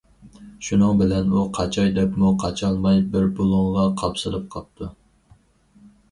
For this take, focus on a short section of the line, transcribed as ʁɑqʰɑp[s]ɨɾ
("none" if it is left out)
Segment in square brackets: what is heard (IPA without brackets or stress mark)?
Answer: s